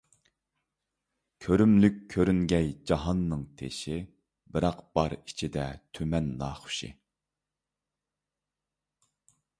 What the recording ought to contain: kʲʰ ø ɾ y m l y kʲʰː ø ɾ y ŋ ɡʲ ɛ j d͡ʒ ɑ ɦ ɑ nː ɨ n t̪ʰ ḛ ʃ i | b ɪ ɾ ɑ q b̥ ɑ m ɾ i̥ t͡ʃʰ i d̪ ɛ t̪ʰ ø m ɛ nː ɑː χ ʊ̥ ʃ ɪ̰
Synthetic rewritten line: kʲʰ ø ɾ y m l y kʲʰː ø ɾ y ŋ ɡʲ ɛ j d͡ʒ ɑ ɦ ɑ nː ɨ ŋ t̪ʰ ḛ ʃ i | b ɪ ɾ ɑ q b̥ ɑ ɾ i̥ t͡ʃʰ i d̪ ɛ t̪ʰ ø m ɛ nː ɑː χ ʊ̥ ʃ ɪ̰